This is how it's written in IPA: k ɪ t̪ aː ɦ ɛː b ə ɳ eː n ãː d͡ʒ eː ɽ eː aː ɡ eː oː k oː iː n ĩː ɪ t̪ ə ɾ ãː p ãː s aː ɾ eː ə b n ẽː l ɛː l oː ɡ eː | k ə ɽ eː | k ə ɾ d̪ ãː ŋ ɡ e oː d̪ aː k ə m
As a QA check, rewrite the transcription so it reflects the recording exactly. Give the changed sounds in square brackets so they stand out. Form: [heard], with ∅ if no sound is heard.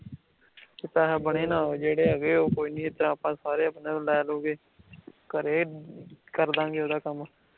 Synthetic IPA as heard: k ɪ t̪ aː ɦ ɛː b ə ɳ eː n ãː d͡ʒ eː ɽ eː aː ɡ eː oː k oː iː n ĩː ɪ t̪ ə ɾ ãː p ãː s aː ɾ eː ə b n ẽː l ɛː l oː ɡ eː | k ə [ɾ] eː | k ə ɾ d̪ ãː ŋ ɡ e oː d̪ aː k ə m